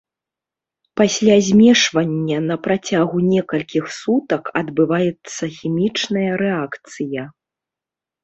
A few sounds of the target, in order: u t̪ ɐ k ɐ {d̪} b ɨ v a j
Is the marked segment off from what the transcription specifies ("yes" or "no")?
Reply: no